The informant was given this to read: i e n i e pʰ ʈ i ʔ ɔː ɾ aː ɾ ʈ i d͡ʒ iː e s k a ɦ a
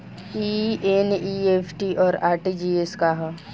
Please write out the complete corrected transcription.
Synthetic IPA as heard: i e n i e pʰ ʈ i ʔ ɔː ɾ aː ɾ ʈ i d͡ʒ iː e s k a ɦ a

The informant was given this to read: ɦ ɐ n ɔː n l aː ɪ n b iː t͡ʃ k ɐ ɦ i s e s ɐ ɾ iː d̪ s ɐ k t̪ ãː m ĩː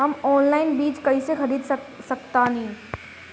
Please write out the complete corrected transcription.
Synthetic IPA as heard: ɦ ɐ m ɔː n l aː ɪ n b iː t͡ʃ k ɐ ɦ i s e x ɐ ɾ iː d̪ s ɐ k t̪ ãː n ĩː

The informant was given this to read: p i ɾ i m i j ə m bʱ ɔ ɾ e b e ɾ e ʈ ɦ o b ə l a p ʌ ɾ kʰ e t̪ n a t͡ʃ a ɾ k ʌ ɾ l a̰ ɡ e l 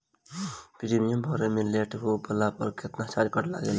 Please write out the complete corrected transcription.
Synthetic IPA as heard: p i ɾ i m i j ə m bʱ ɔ ɾ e m e l e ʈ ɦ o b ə l a p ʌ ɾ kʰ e t̪ n a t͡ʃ a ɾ k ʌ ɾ l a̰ ɡ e l

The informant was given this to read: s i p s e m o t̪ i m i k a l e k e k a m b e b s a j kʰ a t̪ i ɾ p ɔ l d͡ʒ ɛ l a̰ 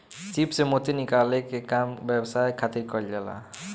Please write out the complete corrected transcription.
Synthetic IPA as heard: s i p s e m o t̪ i n i k a l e k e k a m b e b s a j kʰ a t̪ i ɾ k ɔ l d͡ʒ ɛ l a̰

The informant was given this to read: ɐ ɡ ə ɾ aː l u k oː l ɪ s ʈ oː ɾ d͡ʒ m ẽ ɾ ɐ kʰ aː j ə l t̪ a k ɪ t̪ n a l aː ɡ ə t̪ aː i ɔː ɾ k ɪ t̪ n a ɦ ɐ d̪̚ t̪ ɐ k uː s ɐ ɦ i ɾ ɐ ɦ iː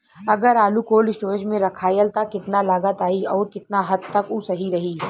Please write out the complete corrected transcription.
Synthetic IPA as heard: ɐ ɡ ə ɾ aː l u k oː l ɪ s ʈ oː ɾ d͡ʒ m ẽ ɾ ɐ kʰ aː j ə l t̪ a k ɪ t̪ n a l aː ɡ ə t̪ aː i ɔː ɾ k ɪ t̪ n a ɦ ɐ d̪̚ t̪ ɐ k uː s ɐ ɦ i ɾ ɐ ɦ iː

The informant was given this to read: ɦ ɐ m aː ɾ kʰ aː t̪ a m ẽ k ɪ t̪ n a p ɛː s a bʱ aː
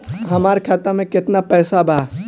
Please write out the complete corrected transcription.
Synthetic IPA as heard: ɦ ɐ m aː ɾ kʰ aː t̪ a m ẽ k ɪ t̪ n a p ɛː s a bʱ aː

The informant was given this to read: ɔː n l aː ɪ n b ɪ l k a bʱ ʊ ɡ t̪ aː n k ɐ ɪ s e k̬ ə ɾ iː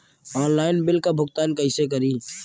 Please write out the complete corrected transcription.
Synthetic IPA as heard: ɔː n l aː ɪ n b ɪ l k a bʱ ʊ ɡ t̪ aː n k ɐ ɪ s e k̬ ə ɾ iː

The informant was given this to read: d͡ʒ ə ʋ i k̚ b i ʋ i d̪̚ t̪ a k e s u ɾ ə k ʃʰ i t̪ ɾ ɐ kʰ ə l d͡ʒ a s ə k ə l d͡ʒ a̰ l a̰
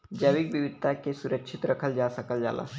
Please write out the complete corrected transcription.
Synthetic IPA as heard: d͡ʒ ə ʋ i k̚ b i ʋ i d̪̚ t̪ a k e s u ɾ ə k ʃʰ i t̪ ɾ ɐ kʰ ə l d͡ʒ a s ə k ə l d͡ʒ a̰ l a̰

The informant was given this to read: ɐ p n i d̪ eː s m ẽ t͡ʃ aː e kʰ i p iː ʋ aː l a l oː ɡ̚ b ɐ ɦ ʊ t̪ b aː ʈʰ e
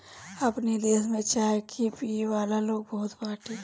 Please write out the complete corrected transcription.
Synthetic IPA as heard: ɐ p n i d̪ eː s m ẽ t͡ʃ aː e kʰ i p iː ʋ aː l a l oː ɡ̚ b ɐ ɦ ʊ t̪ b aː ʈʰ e

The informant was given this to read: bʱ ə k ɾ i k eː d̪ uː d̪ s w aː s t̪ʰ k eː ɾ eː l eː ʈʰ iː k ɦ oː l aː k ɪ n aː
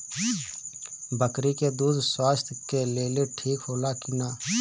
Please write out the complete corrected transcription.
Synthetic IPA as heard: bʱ ə k ɾ i k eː d̪ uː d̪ s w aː s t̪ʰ k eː l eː l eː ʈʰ iː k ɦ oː l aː k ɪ n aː

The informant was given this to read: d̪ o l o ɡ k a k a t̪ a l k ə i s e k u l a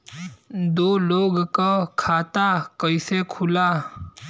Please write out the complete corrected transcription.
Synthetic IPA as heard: d̪ o l o ɡ k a kʰ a t̪ a k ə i s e kʰ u l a

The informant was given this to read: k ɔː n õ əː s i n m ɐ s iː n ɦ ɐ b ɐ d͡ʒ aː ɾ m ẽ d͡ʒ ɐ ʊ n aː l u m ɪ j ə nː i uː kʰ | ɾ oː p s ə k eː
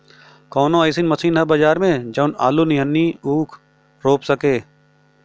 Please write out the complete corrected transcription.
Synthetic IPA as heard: k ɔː n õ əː s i n m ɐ s iː n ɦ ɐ b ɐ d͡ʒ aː ɾ m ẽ d͡ʒ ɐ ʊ n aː l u n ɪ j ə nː i uː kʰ | ɾ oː p s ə k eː

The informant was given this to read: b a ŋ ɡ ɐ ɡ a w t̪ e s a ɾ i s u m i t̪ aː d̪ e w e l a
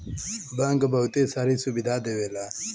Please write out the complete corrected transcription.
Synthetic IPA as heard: b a ŋ ɡ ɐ b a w t̪ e s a ɾ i s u b i d̪ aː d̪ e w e l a

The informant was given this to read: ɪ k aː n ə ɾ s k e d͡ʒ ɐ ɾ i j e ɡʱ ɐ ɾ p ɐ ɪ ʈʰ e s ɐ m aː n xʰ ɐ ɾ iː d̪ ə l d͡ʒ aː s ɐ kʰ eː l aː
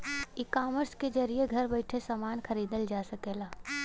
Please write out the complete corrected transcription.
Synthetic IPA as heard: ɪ k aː m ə ɾ s k e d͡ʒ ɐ ɾ i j e ɡʱ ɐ ɾ b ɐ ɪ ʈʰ e s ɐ m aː n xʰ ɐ ɾ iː d̪ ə l d͡ʒ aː s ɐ k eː l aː

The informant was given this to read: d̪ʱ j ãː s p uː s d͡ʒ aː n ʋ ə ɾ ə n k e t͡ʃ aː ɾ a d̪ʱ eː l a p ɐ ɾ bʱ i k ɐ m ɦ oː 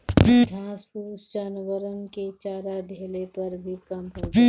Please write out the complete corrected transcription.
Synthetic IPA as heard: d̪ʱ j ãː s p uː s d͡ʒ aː n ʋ ə ɾ ə n k e t͡ʃ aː ɾ a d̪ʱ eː l e p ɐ ɾ bʱ i k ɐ m ɦ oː

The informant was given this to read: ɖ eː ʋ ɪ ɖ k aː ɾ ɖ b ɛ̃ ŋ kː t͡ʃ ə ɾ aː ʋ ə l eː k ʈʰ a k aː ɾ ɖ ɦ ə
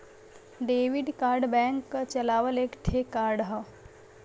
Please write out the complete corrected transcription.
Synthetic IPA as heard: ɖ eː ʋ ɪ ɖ k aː ɾ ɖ b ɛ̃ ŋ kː t͡ʃ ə l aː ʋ ə l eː k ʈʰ e k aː ɾ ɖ ɦ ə

